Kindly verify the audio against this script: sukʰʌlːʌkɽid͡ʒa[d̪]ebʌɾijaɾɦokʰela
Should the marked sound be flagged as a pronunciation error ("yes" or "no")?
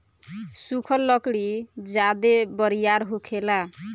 no